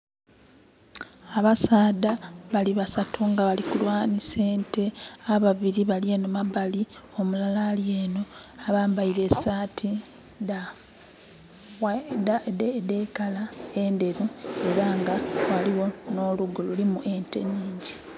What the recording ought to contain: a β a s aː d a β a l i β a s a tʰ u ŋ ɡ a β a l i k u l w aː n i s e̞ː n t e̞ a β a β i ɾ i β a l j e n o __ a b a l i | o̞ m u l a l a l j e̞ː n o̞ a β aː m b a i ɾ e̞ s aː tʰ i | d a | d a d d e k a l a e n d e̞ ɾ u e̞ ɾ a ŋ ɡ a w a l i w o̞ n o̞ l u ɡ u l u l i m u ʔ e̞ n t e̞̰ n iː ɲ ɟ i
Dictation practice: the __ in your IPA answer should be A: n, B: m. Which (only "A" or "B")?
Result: B